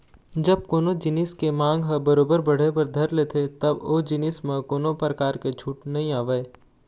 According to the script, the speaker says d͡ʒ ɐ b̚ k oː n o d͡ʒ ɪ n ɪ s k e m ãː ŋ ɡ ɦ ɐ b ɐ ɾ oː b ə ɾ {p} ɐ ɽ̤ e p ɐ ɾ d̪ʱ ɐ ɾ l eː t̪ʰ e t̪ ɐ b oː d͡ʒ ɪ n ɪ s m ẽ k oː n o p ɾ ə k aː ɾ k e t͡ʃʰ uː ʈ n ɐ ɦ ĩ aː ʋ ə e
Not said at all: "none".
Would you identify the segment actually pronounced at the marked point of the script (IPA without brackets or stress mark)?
b